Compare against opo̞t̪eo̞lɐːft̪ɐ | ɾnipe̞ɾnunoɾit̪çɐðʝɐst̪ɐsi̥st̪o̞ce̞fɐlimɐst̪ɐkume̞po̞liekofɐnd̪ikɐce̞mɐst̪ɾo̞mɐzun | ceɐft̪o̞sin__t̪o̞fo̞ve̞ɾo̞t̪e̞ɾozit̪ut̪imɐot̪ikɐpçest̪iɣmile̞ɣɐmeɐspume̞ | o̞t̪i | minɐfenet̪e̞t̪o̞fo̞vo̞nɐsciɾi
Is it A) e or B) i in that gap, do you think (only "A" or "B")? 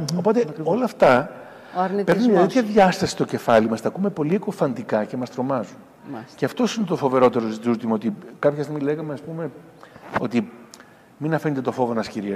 A